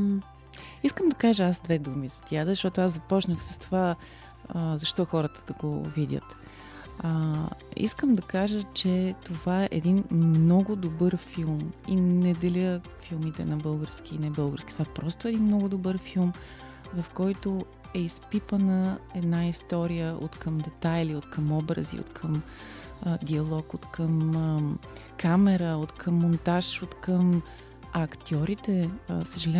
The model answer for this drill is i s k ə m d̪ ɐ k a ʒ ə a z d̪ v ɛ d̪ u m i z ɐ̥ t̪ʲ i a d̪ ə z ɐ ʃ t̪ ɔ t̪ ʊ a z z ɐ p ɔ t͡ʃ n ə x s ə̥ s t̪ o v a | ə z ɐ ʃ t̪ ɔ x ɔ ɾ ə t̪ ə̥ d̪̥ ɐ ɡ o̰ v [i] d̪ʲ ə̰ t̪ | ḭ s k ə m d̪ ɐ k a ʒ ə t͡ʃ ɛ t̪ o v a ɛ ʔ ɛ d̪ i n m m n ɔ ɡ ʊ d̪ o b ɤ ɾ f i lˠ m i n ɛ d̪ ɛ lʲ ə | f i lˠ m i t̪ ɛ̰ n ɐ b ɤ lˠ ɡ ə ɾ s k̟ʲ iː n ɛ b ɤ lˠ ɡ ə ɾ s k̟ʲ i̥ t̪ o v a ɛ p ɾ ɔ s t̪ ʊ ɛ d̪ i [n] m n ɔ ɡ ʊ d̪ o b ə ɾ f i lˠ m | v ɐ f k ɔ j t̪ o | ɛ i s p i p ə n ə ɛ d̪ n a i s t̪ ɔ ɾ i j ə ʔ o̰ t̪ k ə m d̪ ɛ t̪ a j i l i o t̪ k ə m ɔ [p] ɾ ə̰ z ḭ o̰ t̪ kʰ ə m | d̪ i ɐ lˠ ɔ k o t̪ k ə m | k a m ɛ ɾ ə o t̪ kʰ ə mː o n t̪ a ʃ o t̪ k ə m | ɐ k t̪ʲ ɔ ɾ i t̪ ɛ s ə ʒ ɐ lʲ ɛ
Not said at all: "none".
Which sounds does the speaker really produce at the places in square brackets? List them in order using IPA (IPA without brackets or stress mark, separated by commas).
i, n, b